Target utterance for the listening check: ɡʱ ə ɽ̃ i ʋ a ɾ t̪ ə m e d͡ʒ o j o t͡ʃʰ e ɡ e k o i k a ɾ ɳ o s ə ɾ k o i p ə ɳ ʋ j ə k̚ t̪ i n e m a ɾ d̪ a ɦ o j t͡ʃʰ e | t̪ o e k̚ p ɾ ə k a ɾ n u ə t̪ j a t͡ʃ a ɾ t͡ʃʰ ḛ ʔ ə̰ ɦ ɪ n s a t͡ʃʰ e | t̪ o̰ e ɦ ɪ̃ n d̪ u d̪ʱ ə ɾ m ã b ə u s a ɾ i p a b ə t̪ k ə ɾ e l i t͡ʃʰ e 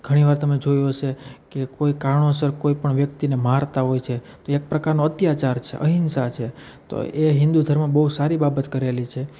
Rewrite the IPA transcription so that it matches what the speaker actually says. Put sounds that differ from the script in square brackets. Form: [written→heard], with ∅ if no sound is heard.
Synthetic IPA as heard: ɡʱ ə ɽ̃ i ʋ a ɾ t̪ ə m e d͡ʒ o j o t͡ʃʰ e [ɡ→k] e k o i k a ɾ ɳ o s ə ɾ k o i p ə ɳ ʋ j ə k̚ t̪ i n e m a ɾ [d̪→t̪] a ɦ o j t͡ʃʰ e | t̪ o e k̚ p ɾ ə k a ɾ n [u→o] ə t̪ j a t͡ʃ a ɾ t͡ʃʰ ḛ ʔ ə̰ ɦ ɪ n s a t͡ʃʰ e | t̪ o̰ e ɦ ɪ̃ n d̪ u d̪ʱ ə ɾ m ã b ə u s a ɾ i [p→b] a b ə t̪ k ə ɾ e l i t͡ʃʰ e